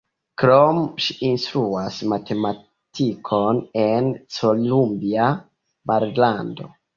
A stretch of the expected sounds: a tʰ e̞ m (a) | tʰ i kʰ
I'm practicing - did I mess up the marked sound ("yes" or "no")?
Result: no